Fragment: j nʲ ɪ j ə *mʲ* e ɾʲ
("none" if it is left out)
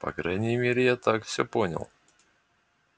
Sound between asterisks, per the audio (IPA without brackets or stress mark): mʲ